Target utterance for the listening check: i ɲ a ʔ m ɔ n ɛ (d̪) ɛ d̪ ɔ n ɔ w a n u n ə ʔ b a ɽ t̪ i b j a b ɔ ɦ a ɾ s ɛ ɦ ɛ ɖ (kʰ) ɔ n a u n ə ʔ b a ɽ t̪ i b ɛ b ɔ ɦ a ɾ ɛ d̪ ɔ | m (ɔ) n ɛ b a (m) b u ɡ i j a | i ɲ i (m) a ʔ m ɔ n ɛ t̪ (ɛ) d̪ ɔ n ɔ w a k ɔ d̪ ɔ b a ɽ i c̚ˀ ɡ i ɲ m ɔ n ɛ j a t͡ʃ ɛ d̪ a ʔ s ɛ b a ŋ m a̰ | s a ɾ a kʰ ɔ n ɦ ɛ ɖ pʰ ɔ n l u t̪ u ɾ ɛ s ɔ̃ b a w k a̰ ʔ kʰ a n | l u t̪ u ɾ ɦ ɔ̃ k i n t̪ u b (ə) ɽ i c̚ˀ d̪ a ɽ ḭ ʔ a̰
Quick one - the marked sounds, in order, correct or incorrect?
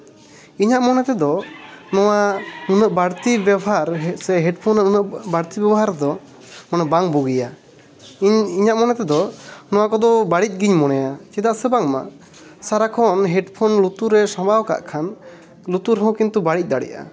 incorrect, incorrect, correct, incorrect, incorrect, correct, incorrect

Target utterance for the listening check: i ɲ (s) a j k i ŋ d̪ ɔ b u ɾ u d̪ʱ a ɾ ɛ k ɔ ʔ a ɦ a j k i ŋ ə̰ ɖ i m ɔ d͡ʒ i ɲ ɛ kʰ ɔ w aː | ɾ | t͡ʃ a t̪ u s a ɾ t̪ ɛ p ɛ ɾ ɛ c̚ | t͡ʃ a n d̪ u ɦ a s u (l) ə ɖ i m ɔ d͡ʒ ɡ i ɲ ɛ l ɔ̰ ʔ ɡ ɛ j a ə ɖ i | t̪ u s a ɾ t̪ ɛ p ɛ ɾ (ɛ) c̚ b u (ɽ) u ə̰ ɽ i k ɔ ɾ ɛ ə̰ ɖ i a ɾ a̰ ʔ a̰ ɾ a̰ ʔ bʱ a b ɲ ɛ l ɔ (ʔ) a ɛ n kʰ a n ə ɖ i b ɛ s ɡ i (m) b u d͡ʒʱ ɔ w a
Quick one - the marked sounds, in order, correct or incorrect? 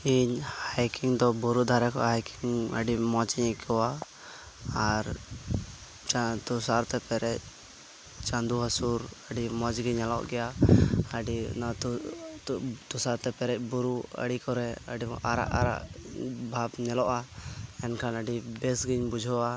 incorrect, incorrect, correct, incorrect, correct, incorrect

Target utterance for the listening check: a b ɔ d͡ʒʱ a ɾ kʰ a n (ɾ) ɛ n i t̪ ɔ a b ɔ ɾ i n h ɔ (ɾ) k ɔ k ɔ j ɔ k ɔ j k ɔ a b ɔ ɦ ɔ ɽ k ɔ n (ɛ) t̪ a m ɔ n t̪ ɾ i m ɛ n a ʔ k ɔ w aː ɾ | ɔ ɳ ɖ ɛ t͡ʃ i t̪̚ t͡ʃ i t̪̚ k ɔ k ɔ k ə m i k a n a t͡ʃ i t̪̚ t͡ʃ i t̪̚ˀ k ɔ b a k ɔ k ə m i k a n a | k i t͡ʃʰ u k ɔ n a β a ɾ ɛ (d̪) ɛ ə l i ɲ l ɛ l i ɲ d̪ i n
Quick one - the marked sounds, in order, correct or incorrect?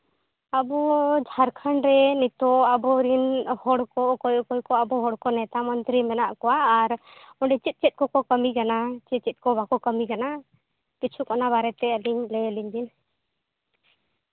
correct, incorrect, correct, incorrect

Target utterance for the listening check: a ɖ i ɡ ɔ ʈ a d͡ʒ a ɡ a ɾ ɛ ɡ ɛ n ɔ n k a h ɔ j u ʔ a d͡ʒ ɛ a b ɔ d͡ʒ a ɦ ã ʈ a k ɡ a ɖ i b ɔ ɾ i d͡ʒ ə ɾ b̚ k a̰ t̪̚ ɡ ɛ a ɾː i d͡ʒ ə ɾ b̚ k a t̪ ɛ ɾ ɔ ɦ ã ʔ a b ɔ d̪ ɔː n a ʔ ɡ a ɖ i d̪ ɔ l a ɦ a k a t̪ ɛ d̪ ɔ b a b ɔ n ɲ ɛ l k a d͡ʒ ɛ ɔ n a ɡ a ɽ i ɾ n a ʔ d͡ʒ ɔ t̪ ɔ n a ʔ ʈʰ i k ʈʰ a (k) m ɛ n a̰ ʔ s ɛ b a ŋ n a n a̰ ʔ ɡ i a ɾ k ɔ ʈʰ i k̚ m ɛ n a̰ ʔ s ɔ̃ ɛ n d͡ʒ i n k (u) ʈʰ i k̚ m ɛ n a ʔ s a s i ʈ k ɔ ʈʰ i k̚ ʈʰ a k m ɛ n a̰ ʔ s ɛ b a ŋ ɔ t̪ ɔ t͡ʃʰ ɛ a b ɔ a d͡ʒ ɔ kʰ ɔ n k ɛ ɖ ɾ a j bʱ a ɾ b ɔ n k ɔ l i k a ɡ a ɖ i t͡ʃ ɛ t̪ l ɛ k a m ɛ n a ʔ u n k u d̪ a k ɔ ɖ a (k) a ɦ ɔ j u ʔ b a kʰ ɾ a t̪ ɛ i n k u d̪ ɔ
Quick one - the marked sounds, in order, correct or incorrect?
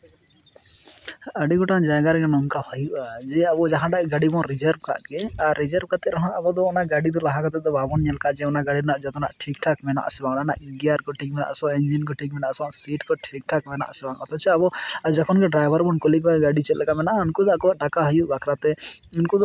correct, incorrect, correct

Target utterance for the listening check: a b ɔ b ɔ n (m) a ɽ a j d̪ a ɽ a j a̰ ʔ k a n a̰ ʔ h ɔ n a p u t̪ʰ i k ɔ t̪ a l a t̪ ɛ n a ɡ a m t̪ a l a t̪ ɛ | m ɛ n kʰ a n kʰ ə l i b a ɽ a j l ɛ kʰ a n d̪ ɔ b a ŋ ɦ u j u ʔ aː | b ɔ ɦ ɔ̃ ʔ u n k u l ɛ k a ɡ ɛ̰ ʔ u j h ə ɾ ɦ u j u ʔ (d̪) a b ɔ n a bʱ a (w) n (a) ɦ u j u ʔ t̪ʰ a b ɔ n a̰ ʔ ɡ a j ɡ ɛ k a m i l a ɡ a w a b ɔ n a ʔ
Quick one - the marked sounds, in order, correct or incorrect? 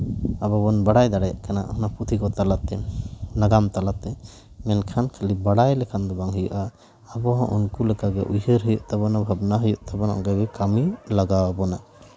incorrect, incorrect, incorrect, correct

